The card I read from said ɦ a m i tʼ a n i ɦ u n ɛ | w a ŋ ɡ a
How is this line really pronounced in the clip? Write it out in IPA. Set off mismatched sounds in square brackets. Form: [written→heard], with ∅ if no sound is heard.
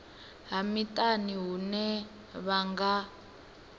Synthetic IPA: ɦ a m i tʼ a n i ɦ u n ɛ | [w→β] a ŋ ɡ a